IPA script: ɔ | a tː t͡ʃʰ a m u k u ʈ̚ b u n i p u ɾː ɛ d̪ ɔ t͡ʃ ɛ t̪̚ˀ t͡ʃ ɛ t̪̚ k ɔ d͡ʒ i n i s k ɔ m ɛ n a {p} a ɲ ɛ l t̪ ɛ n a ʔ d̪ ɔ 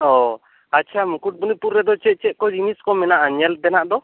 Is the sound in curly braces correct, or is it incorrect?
incorrect